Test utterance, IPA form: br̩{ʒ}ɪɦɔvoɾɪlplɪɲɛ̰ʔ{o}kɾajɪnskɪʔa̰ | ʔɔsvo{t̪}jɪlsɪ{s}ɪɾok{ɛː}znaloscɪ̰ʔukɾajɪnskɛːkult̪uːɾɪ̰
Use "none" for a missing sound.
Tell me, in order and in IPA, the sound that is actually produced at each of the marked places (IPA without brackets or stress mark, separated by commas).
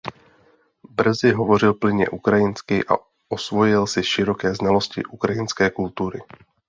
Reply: z, u, none, ʃ, ɛː